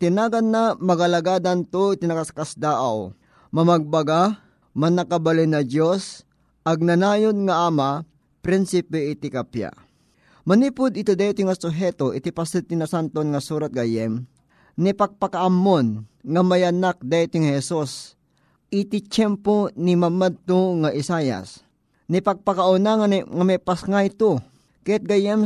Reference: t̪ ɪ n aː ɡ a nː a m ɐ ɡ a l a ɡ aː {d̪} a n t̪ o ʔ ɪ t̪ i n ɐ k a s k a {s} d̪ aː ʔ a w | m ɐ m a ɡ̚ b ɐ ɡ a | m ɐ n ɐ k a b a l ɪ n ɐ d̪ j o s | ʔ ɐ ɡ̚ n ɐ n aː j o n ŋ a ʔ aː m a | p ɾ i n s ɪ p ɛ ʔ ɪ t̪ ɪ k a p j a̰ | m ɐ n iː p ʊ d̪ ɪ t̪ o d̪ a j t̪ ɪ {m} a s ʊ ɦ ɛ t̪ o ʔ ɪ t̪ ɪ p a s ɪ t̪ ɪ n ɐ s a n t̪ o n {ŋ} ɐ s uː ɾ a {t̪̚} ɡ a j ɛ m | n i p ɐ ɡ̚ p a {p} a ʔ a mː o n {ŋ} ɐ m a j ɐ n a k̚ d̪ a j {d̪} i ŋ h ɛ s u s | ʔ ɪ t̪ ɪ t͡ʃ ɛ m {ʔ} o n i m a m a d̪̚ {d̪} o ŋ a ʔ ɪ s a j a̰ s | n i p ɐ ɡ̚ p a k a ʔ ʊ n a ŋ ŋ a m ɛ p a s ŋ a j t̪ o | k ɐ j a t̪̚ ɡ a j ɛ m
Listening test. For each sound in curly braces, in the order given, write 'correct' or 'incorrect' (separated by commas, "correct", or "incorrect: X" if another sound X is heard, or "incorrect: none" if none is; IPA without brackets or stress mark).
correct, correct, incorrect: ŋ, correct, correct, incorrect: k, correct, incorrect: t̪, incorrect: p, incorrect: t̪